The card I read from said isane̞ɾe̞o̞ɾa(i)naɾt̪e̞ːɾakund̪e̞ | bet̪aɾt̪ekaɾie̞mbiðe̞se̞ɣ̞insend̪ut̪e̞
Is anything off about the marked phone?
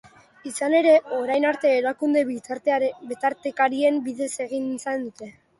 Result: yes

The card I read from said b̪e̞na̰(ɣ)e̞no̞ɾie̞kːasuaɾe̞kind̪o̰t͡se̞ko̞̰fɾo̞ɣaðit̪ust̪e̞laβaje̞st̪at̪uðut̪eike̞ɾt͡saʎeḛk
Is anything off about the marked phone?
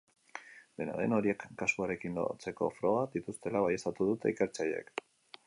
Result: yes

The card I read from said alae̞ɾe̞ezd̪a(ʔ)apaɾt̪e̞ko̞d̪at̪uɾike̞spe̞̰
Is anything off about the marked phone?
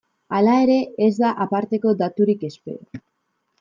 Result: no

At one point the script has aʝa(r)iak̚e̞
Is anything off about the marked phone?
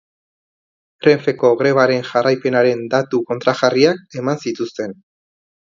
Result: no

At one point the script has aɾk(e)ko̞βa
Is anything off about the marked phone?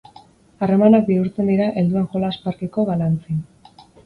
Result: no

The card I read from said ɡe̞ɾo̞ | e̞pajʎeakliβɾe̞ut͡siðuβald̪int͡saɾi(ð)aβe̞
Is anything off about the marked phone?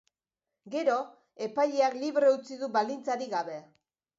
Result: yes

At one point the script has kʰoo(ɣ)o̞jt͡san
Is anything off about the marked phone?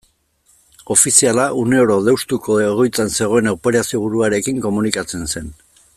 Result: no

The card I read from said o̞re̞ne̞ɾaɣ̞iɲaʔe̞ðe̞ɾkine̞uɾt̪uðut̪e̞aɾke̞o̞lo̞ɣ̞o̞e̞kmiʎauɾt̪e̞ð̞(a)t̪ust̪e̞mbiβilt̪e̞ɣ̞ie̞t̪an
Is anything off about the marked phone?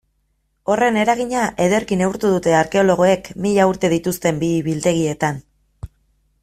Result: yes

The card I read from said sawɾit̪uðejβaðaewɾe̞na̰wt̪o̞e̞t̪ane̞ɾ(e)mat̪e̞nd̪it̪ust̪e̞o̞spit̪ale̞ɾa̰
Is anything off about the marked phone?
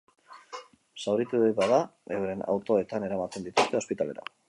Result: yes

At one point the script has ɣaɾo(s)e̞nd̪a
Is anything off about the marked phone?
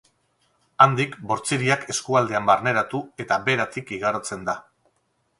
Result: yes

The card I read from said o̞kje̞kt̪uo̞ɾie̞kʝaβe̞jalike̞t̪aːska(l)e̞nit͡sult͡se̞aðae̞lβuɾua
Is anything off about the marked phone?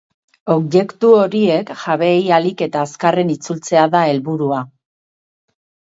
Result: yes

